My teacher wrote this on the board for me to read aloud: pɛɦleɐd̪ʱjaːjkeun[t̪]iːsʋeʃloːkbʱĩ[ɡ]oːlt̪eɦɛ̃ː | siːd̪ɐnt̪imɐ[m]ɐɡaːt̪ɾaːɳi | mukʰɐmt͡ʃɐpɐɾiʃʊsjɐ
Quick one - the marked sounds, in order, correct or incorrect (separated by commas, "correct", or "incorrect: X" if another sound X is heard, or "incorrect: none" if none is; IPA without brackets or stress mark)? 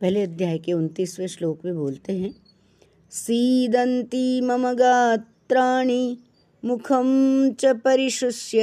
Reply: correct, incorrect: b, correct